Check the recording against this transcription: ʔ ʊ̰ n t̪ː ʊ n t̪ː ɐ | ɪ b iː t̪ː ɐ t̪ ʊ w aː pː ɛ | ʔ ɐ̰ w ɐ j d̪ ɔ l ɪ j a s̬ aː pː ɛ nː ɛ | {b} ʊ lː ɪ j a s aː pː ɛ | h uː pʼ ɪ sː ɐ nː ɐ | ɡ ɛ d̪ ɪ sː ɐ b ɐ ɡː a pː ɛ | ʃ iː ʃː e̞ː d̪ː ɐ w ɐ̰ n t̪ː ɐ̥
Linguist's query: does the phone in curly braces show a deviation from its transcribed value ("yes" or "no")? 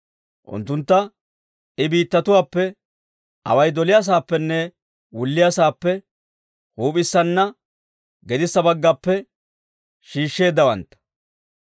yes